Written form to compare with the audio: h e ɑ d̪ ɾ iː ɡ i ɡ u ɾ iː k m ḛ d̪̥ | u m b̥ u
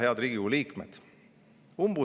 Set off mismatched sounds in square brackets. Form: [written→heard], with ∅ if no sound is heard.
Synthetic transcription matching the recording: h e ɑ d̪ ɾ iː ɡ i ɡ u [ɾ→l] iː k m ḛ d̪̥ | u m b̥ u